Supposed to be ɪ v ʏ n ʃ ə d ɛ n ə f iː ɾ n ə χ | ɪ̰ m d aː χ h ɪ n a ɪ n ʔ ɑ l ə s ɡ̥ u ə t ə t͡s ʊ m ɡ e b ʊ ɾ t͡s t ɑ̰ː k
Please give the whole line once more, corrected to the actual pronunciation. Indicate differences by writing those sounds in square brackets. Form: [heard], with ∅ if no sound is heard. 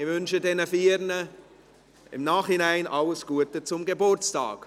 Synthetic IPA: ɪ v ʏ n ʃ ə d ɛ n ə f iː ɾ n ə [∅] | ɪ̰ m [n] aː χ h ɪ n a ɪ n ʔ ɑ l ə s ɡ̥ u ə t ə t͡s ʊ m ɡ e b ʊ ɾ t͡s t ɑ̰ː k